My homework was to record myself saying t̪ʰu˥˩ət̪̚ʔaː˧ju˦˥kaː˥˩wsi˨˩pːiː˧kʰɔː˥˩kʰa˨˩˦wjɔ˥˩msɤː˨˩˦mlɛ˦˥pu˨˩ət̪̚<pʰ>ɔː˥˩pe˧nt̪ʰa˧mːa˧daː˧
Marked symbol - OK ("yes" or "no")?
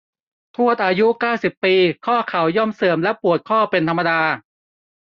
no